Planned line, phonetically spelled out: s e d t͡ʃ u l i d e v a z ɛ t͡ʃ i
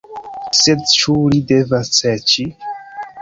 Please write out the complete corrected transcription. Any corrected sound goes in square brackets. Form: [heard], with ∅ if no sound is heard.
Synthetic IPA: s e d t͡ʃ u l i d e v a [s] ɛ t͡ʃ i